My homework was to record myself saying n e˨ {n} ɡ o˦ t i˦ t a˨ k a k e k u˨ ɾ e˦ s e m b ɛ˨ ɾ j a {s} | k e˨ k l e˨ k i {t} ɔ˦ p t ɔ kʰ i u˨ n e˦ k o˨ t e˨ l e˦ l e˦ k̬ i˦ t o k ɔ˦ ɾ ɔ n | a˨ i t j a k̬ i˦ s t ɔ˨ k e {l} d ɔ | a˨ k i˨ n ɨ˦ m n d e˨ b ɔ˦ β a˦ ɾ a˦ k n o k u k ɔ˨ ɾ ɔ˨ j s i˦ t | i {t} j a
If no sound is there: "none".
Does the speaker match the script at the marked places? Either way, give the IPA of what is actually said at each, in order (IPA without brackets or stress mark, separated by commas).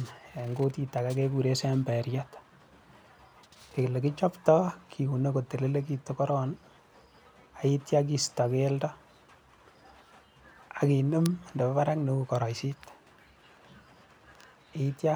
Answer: ŋ, t, t͡ʃ, l, t